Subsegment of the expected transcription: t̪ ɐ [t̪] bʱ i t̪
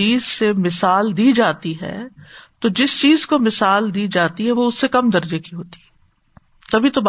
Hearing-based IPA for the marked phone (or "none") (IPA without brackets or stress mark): none